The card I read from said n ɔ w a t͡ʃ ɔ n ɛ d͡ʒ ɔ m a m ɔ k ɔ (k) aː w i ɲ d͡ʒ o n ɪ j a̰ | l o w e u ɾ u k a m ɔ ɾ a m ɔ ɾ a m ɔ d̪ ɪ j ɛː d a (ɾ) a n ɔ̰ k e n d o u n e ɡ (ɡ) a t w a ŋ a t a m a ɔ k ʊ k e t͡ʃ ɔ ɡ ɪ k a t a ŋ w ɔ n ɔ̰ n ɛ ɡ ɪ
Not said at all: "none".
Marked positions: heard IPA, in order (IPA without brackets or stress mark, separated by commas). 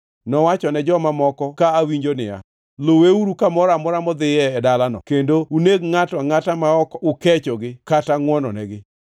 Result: k, l, ŋ